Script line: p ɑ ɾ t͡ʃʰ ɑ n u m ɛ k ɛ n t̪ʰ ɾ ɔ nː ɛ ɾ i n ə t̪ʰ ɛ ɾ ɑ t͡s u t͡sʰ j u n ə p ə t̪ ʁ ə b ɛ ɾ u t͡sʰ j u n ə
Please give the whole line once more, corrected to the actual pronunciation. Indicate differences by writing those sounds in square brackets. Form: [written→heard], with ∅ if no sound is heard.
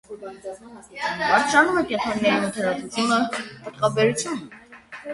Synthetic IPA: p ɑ ɾ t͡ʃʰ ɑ n u m ɛ k ɛ n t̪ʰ ɾ ɔ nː ɛ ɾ i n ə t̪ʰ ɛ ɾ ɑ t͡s u t͡sʰ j u n ə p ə t̪ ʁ [ə→ɑ] b ɛ ɾ u t͡sʰ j u n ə